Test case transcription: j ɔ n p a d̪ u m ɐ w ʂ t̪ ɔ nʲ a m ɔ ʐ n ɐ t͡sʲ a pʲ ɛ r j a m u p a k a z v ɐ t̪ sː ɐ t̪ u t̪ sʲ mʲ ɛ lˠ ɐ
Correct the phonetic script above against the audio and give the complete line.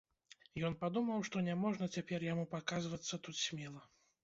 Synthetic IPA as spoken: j ɔ n p a d̪ u m ɐ w ʂ t̪ ɔ nʲ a m ɔ ʐ n ɐ t͡sʲ a pʲ ɛ r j a m u p a k a z v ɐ t̪ sː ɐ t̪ u t̪ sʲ mʲ ɛ lˠ ɐ